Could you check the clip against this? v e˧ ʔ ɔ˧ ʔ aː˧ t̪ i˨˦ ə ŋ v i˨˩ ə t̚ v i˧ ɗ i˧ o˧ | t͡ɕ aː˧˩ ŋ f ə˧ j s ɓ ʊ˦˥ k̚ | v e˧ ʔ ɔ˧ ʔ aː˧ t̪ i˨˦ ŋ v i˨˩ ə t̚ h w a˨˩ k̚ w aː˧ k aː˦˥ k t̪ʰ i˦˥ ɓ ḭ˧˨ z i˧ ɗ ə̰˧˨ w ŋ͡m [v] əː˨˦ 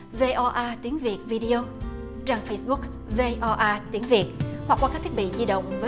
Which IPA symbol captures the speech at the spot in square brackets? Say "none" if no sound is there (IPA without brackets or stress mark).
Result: v